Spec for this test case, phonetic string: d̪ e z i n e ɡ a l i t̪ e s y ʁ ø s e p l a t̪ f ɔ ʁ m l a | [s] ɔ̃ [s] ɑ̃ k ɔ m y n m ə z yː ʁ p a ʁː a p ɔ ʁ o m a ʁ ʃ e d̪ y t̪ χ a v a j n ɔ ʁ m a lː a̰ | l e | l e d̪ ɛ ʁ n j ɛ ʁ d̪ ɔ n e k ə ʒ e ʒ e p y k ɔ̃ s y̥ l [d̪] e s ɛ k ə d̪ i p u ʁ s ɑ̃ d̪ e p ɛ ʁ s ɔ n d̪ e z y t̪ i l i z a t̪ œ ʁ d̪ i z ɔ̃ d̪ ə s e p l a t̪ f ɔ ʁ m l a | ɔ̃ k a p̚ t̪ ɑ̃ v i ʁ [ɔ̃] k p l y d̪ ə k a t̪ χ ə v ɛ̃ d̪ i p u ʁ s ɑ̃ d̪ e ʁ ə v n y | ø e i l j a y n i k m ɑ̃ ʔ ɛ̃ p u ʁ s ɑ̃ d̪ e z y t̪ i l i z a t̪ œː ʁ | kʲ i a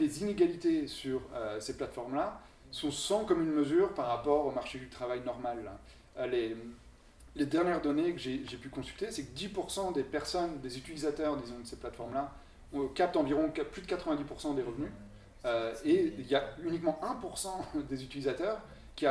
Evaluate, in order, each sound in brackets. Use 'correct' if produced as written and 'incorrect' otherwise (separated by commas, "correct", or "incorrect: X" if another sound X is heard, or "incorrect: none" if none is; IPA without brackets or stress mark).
correct, correct, incorrect: t̪, correct